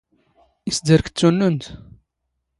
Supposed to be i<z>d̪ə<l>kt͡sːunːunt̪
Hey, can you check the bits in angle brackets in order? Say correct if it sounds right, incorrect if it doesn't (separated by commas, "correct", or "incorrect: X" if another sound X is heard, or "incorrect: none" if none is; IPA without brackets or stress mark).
incorrect: s, incorrect: ɾ